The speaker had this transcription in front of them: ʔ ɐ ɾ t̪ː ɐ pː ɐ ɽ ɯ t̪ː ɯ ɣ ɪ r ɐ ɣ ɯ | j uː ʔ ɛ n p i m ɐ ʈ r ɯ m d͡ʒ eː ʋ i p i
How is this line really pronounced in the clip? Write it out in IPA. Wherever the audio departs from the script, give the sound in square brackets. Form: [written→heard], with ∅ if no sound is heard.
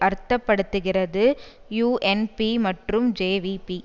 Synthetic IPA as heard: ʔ ɐ ɾ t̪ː ɐ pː ɐ ɽ ɯ t̪ː ɯ ɣ ɪ r ɐ [ɣ→ð] ɯ | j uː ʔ ɛ n p i m ɐ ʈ r ɯ m d͡ʒ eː ʋ i p i

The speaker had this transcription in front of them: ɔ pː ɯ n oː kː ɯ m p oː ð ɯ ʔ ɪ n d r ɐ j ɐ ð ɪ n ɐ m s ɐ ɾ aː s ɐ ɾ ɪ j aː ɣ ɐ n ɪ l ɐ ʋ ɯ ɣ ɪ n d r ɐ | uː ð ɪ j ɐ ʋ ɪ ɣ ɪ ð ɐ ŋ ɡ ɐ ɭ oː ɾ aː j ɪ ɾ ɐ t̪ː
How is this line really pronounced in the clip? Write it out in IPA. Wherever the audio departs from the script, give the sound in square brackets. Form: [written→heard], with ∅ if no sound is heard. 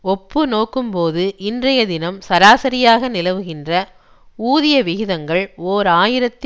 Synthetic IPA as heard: ɔ pː ɯ n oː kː ɯ m p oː ð ɯ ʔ ɪ n d r ɐ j ɐ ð ɪ n ɐ m s ɐ ɾ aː s ɐ ɾ ɪ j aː ɣ ɐ n ɪ l ɐ ʋ ɯ ɣ ɪ n d r ɐ | uː ð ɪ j ɐ ʋ ɪ ɣ ɪ ð ɐ ŋ ɡ ɐ ɭ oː ɾ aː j ɪ ɾ ɐ t̪ː

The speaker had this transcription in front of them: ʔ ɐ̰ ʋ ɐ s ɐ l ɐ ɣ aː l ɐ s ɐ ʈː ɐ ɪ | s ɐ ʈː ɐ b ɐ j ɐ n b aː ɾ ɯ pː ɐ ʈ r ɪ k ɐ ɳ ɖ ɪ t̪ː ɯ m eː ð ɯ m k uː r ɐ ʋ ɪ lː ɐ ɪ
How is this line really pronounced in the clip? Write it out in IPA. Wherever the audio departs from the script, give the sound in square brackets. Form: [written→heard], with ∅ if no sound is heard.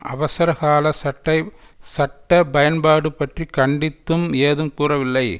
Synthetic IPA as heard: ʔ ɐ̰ ʋ ɐ s ɐ [l→ɾ] ɐ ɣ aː l ɐ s ɐ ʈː ɐ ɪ | s ɐ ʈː ɐ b ɐ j ɐ n b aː [ɾ→ɽ] ɯ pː ɐ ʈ r [ɪ→i] k ɐ ɳ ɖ ɪ t̪ː ɯ m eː ð ɯ m k uː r ɐ ʋ ɪ lː ɐ ɪ

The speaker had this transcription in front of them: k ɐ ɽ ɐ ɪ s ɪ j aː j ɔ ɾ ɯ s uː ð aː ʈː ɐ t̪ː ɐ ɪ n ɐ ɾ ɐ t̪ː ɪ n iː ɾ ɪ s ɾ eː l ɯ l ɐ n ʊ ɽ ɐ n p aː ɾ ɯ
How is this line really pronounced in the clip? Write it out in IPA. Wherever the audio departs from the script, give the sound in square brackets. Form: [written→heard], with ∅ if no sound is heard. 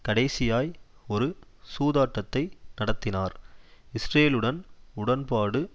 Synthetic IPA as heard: k ɐ ɽ ɐ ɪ s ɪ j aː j ɔ ɾ ɯ s uː ð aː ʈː ɐ t̪ː ɐ ɪ n ɐ [ɾ→ɽ] ɐ t̪ː ɪ n [iː→aː] ɾ ɪ s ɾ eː l ɯ [l→ɽ] ɐ n ʊ ɽ ɐ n p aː [ɾ→ɽ] ɯ

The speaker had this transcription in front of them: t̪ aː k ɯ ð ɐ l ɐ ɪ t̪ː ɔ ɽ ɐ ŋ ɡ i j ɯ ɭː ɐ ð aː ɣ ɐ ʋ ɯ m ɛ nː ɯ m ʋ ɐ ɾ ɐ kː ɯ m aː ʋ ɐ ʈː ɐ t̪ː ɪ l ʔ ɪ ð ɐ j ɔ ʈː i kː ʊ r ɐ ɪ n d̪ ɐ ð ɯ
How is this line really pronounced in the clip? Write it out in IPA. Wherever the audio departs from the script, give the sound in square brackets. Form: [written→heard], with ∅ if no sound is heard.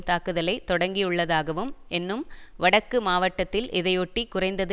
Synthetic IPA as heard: t̪ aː k ɯ ð ɐ l ɐ ɪ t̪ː ɔ ɽ ɐ ŋ ɡ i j ɯ ɭː ɐ ð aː ɣ ɐ ʋ ɯ m ɛ nː ɯ m ʋ ɐ [ɾ→ɽ] ɐ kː ɯ m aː ʋ ɐ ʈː ɐ t̪ː ɪ l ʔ ɪ ð ɐ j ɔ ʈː i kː ʊ r ɐ ɪ n d̪ ɐ ð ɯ

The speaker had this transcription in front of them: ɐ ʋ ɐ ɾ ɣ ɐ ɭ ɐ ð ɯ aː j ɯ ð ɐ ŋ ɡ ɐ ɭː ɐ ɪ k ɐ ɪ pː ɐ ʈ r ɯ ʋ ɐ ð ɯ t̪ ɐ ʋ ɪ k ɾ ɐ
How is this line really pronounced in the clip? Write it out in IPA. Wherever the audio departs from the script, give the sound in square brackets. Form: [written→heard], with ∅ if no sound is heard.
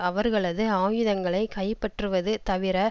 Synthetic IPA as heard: ɐ ʋ ɐ ɾ ɣ ɐ ɭ ɐ ð ɯ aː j ɯ ð ɐ ŋ ɡ ɐ [ɭː→ɭ] ɐ ɪ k ɐ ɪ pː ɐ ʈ r ɯ ʋ ɐ ð ɯ t̪ ɐ ʋ ɪ [k→∅] ɾ ɐ

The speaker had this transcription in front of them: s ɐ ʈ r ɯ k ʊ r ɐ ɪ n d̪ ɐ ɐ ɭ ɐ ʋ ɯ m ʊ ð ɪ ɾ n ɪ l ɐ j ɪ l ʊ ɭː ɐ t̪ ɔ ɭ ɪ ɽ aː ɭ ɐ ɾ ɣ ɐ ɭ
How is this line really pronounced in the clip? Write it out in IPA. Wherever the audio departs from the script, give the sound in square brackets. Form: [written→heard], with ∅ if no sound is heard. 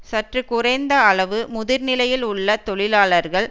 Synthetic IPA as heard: s ɐ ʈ r ɯ k ʊ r ɐ ɪ n d̪ ɐ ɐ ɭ ɐ ʋ ɯ m ʊ ð ɪ ɾ n ɪ l ɐ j ɪ l ʊ ɭː ɐ t̪ ɔ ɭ ɪ [ɽ→l] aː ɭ ɐ ɾ ɣ ɐ ɭ

